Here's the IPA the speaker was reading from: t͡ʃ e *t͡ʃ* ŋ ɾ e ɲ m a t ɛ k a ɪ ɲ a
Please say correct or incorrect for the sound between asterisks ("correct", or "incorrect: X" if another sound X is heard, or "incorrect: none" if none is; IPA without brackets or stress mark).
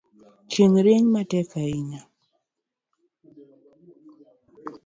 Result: incorrect: none